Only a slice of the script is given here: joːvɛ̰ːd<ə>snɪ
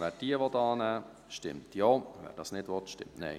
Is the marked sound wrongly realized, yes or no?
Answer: yes